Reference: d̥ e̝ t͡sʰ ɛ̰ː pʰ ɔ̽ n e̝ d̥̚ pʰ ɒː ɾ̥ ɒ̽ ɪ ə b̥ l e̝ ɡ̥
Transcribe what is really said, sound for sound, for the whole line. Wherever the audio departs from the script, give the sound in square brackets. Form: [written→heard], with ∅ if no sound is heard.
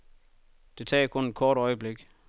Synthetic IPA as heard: d̥ e̝ t͡sʰ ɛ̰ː [pʰ→kʰ] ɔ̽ n e̝ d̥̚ [pʰ→kʰ] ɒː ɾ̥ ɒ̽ ɪ ə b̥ l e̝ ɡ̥